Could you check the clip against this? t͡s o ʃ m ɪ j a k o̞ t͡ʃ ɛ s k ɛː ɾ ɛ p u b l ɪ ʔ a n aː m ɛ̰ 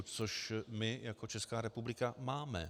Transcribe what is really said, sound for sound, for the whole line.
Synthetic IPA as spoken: t͡s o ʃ m ɪ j a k o̞ t͡ʃ ɛ s k aː ɾ ɛ p u b l ɪ k a m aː m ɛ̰